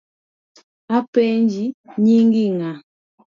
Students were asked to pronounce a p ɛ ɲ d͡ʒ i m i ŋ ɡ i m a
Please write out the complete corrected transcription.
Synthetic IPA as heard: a p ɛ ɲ d͡ʒ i ɲ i ŋ ɡ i ŋ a